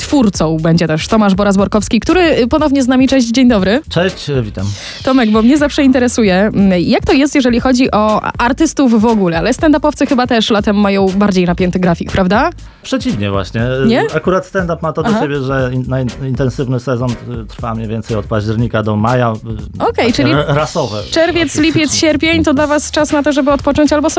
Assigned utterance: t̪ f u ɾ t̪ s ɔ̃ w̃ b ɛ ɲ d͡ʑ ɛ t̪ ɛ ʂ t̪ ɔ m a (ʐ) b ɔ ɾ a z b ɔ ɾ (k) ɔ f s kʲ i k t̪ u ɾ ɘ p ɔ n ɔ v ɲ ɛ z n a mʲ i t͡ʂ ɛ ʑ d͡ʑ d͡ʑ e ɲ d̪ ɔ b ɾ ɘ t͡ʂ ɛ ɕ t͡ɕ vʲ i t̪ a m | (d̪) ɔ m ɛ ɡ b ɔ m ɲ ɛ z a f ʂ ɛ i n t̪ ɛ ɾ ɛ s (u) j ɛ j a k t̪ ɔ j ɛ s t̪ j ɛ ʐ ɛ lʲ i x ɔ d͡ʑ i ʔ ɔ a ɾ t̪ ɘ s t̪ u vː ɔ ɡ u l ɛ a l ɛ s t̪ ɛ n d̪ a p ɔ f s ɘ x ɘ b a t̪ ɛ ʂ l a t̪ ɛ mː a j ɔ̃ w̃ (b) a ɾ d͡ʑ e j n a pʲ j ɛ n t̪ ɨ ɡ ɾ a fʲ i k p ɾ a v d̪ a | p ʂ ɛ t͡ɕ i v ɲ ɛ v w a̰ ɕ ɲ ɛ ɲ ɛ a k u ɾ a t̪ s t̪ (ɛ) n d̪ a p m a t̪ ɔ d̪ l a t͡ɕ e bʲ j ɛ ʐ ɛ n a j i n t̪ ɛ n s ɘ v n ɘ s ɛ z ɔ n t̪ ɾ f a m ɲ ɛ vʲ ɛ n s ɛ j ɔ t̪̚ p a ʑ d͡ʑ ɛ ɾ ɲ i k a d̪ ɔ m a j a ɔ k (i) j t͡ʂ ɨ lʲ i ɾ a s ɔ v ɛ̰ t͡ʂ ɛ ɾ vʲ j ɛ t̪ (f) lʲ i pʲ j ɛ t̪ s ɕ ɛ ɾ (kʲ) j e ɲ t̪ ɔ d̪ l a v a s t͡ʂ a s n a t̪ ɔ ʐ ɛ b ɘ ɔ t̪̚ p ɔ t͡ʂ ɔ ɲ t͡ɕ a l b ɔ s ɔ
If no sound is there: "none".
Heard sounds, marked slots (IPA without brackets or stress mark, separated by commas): ʐ, k, t̪, u, b, ɛ, ɛ, s, pʲ